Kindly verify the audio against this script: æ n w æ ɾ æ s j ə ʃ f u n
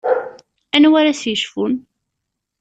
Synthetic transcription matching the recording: æ n w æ ɾ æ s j ə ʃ f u n